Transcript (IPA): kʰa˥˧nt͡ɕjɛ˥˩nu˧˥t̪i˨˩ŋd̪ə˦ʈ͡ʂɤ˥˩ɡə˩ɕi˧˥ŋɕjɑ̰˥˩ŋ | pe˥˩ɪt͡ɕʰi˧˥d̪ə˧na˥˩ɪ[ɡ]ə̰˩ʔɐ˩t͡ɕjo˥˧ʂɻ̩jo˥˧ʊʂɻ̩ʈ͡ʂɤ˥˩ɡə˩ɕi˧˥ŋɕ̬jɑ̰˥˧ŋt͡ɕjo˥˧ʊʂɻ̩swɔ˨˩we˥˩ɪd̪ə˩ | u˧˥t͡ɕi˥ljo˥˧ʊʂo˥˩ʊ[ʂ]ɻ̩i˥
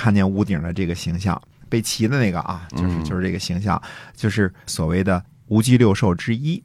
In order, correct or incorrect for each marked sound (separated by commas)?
correct, incorrect